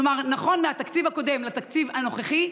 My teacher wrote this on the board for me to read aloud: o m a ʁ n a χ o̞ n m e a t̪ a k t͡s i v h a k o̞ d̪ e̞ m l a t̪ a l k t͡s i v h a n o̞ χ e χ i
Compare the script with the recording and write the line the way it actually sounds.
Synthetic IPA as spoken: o m a ʁ n a χ o̞ n m e a t̪ a k t͡s i v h a k o̞ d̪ e̞ m l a t̪ a k t͡s i v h a n o̞ χ e χ i